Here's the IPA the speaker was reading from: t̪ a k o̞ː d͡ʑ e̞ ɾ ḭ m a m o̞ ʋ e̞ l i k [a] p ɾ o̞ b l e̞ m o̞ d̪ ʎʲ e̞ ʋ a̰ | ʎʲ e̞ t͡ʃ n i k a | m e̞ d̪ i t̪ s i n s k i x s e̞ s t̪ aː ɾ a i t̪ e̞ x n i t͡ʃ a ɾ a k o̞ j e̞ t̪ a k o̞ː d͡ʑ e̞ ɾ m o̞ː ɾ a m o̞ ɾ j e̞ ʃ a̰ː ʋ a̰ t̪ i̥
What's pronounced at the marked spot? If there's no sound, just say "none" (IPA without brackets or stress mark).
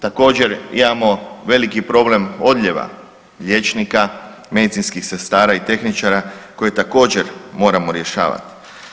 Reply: i